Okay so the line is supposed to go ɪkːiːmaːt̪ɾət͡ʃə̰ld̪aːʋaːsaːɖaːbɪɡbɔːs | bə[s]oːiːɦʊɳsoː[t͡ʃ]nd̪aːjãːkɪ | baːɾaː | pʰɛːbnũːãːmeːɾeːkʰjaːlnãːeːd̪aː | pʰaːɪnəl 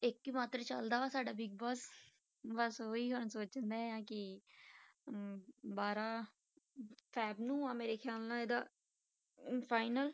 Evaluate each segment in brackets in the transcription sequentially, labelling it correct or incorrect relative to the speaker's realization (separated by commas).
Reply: correct, correct